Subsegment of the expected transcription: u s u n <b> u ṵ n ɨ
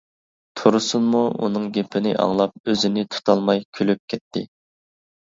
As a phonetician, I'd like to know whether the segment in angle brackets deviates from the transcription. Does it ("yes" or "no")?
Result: yes